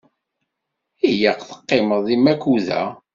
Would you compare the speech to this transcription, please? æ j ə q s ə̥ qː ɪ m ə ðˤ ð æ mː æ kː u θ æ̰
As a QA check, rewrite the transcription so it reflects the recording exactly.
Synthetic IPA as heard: i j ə q θ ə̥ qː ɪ m ə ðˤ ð i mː æ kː u ð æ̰